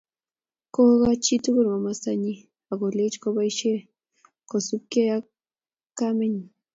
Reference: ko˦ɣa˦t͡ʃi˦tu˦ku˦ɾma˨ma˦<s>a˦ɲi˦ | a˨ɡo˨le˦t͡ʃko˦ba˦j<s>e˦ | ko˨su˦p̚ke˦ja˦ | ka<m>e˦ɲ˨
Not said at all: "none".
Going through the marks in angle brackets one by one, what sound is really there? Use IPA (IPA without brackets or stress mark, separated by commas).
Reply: s, ʃ, m